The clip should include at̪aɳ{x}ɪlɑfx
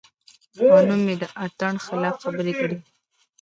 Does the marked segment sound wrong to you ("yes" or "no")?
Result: no